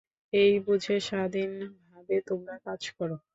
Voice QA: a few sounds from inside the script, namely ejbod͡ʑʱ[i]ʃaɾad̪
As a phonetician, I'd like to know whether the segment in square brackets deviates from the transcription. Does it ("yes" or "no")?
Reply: yes